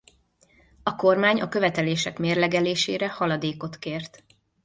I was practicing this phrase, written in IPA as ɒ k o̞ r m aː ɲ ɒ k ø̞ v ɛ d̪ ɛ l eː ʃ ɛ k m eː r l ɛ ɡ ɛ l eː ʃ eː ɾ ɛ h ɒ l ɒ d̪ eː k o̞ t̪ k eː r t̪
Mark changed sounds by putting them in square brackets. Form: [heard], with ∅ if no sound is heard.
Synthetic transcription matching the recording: ɒ k o̞ r m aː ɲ ɒ k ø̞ v ɛ [t̪] ɛ l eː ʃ ɛ k m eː r l ɛ ɡ ɛ l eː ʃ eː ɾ ɛ h ɒ l ɒ d̪ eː k o̞ t̪ k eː r t̪